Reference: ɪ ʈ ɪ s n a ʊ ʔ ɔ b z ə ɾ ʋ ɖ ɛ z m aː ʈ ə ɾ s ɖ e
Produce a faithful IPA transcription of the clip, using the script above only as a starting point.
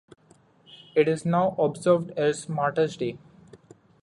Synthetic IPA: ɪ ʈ ɪ z n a ʊ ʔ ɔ b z ə ɾ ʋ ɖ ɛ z m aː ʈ ə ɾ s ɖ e